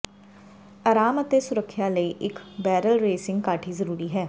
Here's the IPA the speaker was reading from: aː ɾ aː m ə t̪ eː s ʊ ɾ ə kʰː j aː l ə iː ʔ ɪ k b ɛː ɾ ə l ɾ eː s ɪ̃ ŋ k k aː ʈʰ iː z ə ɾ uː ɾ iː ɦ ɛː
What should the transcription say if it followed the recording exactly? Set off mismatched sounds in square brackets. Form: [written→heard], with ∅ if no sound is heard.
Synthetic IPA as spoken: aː ɾ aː m ə t̪ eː s ʊ ɾ ə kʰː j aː l ə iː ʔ ɪ k b ɛː ɾ ə l ɾ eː s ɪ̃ ŋ [k→ɡ] k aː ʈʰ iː z ə ɾ uː ɾ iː ɦ ɛː